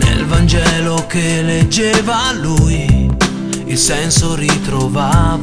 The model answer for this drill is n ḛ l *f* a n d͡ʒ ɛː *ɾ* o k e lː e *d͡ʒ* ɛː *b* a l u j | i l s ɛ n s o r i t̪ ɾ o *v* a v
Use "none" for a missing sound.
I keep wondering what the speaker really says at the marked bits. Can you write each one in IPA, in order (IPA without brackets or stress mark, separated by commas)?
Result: v, l, d͡ʒː, v, v